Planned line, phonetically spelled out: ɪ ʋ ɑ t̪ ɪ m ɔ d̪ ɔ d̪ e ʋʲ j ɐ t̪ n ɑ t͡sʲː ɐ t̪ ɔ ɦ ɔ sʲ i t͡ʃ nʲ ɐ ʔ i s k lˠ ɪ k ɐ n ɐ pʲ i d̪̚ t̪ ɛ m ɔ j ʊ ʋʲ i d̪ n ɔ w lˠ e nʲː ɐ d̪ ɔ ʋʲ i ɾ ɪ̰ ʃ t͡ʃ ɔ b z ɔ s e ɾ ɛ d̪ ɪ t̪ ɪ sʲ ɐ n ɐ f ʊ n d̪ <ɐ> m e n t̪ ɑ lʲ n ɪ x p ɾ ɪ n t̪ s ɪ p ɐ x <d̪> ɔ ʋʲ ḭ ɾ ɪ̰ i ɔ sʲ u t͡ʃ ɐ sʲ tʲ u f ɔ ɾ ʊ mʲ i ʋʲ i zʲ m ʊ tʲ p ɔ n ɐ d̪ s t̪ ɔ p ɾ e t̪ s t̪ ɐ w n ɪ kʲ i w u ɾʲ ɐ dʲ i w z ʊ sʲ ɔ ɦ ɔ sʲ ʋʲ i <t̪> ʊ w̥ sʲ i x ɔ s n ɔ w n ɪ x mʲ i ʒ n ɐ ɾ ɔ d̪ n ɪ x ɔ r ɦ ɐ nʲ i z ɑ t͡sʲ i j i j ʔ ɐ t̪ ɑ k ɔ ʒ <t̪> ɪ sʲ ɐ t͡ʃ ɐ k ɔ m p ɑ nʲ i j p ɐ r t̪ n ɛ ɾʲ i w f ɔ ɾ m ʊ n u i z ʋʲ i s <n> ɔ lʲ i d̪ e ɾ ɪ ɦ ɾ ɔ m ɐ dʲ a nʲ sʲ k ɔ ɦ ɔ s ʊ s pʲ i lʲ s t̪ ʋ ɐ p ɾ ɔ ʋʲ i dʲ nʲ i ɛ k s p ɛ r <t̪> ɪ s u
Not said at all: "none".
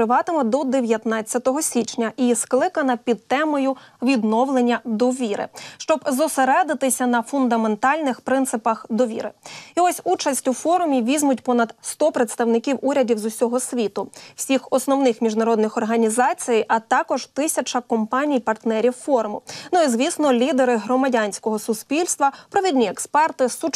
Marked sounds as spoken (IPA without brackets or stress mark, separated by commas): ɐ, d̪, t̪, t̪, n, t̪